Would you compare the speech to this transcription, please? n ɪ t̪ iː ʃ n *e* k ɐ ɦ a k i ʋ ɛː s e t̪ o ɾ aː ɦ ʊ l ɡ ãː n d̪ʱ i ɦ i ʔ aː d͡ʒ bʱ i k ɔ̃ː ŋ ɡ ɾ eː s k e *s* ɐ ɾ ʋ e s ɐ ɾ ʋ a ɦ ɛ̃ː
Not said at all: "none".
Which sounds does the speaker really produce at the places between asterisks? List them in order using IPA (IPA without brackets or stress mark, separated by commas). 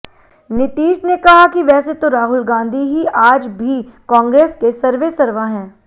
e, s